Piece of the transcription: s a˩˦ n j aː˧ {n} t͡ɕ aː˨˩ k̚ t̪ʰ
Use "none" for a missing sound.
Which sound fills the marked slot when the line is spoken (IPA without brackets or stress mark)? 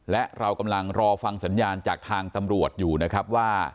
n